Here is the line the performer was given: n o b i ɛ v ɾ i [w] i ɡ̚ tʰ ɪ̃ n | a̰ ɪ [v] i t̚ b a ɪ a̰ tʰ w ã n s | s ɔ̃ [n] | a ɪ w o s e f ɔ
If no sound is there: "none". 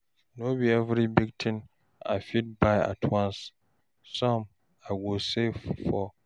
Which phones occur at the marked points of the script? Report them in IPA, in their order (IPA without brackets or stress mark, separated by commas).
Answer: b, f, m